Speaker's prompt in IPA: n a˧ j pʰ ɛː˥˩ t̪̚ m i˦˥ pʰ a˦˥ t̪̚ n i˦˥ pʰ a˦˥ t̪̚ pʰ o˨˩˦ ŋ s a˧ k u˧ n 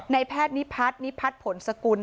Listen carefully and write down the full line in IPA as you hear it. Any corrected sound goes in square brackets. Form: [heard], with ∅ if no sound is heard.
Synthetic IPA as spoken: n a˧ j pʰ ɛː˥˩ t̪̚ [n] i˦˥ pʰ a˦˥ t̪̚ n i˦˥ pʰ a˦˥ t̪̚ pʰ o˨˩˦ [n] s a˧ k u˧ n